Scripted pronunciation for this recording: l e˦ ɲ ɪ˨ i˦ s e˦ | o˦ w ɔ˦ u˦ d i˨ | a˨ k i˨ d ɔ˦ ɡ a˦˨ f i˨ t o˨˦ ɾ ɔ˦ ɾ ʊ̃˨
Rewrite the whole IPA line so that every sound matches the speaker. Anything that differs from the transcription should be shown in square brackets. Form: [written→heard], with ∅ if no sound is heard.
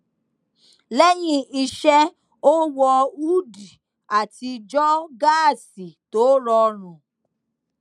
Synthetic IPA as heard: l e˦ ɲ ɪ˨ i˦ [s→ʃ] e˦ | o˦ w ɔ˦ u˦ d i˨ | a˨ [k→t] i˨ [d→d͡ʒ] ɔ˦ ɡ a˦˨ [f→s] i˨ t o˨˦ ɾ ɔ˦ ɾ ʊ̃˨